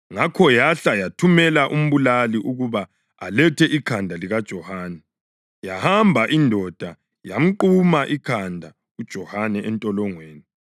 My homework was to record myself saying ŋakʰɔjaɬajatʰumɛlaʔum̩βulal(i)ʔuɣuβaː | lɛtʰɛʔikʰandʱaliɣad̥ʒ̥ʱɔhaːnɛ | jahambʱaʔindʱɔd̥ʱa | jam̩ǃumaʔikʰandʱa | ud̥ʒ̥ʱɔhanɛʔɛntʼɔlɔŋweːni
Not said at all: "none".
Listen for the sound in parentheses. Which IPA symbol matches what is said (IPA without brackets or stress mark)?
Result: i